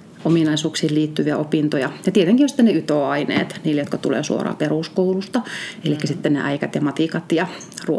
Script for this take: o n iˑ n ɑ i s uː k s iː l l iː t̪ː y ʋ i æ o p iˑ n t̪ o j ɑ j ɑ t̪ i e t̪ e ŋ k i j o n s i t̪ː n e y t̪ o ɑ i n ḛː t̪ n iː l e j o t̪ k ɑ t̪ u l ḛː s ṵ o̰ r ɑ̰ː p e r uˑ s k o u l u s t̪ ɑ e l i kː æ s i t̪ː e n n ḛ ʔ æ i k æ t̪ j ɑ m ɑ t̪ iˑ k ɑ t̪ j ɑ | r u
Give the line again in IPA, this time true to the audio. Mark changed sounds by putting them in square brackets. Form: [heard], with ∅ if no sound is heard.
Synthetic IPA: o [m] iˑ n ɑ i s uː k s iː l l iː t̪ː y ʋ i æ o p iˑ n t̪ o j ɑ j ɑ t̪ i e t̪ e ŋ k i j o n s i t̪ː n e y t̪ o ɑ i n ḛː t̪ n iː l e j o t̪ k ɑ t̪ u l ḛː s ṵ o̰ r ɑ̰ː p e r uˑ s k o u l u s t̪ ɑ e l i kː æ s i t̪ː e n n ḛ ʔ æ i k æ t̪ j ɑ m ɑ t̪ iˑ k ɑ t̪ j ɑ | r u